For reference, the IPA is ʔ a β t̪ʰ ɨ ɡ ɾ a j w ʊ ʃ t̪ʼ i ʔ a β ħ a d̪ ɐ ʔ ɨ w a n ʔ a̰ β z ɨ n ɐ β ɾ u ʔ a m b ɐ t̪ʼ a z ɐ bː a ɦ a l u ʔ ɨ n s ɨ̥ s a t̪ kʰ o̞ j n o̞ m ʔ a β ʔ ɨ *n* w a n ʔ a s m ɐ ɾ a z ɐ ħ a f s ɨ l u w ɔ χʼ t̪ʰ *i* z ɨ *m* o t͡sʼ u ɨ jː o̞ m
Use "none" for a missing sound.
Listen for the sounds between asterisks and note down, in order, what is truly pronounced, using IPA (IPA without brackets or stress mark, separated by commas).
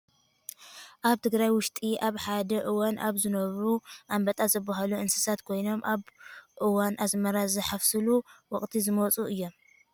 none, i, m